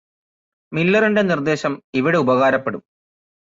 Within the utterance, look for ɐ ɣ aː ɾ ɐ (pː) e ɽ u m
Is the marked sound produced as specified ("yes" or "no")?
yes